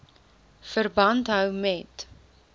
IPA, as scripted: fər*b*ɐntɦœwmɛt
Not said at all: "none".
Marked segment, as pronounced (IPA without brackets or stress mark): b